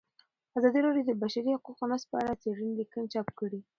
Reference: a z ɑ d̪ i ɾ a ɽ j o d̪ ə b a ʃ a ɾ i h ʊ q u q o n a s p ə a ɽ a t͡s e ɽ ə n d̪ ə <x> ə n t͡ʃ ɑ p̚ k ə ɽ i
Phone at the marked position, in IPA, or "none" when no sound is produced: k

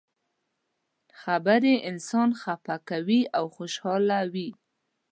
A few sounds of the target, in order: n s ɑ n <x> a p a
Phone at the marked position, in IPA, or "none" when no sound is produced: x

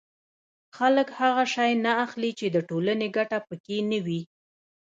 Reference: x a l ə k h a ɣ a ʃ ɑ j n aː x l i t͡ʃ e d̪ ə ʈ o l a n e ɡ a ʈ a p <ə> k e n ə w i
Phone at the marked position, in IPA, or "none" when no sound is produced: ə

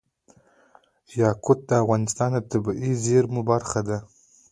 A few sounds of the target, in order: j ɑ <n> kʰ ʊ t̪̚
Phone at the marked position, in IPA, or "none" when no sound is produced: none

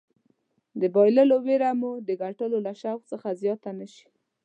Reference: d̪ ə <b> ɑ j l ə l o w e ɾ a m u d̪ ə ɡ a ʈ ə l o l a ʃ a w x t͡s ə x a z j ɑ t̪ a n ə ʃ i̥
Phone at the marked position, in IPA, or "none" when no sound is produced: b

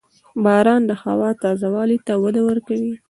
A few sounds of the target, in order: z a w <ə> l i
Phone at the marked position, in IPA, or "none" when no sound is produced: ɑ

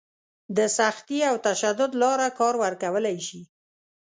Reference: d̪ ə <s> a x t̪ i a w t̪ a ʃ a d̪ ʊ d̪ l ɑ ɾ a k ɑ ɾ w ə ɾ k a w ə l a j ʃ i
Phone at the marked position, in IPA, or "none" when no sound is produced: s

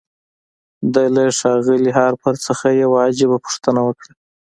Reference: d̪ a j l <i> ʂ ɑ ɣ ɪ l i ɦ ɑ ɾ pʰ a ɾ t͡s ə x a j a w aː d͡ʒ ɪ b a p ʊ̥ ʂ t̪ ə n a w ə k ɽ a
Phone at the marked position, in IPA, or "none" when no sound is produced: a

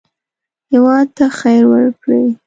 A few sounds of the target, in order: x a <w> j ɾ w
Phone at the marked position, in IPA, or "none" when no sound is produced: none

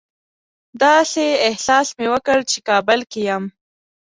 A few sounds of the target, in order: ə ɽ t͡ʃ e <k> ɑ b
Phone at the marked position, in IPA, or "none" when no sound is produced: k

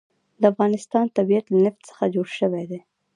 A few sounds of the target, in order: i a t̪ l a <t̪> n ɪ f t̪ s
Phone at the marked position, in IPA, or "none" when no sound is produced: none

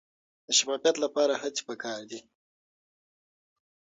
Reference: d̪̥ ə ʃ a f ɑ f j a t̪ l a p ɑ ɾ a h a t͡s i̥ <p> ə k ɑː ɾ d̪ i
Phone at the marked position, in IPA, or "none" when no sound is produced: p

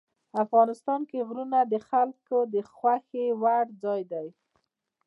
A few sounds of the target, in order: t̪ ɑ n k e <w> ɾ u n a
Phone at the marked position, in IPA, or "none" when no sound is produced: ɣ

